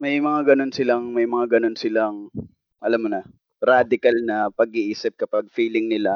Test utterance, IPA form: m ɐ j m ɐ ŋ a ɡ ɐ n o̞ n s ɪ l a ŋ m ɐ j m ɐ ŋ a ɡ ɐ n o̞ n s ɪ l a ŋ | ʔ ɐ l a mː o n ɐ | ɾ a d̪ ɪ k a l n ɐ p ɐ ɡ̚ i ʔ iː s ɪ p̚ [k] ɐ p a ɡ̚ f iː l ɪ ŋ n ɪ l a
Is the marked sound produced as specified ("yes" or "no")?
yes